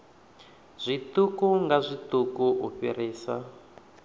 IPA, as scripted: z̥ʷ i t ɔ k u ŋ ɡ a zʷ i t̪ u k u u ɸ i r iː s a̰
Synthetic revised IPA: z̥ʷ i t u k u ŋ ɡ a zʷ i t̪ u k u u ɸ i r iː s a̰